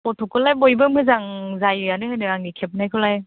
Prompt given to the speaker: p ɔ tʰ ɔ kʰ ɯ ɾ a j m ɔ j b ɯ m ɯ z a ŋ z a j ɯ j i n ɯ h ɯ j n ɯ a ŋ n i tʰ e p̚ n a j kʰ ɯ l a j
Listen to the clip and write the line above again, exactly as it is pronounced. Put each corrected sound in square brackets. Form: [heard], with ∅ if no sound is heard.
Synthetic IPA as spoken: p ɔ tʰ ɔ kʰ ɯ [l] a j [b] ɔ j b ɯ m ɯ z a ŋ z a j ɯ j [a] n ɯ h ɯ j n ɯ a ŋ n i [kʰ] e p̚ n a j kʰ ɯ l a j